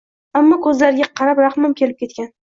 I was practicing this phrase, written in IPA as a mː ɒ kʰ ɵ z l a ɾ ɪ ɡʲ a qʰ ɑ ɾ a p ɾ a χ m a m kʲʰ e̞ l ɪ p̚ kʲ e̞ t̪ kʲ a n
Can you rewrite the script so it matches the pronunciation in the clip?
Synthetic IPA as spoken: a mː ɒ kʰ ɵ z l a ɾ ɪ ɡʲ a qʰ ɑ ɾ a p ɾ a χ m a m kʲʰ e̞ l ɪ p̚ kʲ e̞ t̪ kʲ a n